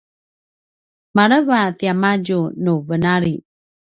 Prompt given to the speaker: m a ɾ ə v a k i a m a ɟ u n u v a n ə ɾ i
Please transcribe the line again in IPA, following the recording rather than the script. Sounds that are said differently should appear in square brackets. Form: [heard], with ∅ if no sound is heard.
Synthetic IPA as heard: m a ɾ ə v a [t] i a m a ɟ u n u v [ə] n [a] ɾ i